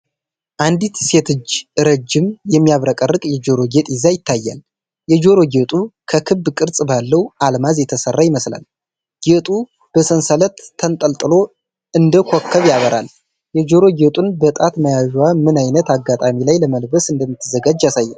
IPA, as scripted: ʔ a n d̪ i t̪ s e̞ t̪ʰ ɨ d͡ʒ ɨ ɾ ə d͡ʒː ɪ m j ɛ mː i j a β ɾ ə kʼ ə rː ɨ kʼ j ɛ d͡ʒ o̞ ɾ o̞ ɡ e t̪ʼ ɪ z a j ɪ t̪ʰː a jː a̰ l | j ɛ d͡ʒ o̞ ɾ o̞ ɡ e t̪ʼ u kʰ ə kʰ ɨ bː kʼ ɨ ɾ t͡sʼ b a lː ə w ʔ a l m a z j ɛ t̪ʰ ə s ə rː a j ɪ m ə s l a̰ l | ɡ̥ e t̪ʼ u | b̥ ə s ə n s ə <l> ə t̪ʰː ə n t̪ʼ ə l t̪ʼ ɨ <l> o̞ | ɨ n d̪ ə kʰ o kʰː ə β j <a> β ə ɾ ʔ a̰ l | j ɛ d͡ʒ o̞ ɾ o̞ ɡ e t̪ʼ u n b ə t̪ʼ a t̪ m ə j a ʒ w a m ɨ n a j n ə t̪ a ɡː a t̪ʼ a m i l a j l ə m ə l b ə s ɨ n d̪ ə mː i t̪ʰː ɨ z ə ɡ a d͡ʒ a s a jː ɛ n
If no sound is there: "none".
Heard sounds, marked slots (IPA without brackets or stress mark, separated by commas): l, l, a